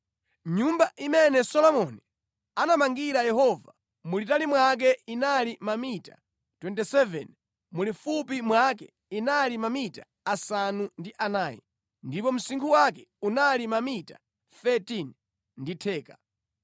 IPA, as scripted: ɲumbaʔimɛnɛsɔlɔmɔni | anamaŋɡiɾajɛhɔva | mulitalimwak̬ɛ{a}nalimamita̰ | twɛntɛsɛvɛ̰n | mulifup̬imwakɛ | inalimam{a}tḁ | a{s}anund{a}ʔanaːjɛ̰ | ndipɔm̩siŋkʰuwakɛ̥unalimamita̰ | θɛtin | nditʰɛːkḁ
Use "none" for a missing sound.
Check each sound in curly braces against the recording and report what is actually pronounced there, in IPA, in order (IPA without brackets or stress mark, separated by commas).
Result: i, i, s, i